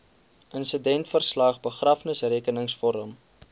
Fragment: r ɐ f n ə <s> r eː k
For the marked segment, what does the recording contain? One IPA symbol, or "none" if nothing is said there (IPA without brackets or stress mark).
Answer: s